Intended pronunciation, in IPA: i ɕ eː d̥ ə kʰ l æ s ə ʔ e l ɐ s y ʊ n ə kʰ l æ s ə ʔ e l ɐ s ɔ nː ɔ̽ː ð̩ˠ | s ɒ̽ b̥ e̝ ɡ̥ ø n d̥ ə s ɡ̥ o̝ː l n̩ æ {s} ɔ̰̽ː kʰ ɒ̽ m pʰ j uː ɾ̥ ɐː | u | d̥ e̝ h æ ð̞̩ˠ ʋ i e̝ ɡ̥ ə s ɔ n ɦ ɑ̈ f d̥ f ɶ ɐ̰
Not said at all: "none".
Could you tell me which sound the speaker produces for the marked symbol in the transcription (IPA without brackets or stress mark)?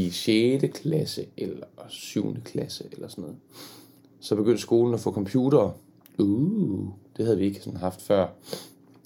f